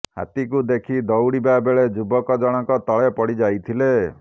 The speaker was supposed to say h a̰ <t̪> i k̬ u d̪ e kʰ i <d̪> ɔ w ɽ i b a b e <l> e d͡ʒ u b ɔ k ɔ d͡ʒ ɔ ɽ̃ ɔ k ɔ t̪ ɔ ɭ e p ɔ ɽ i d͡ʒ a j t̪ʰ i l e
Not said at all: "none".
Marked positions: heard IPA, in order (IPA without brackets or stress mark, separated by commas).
t̪, d̪, ɭ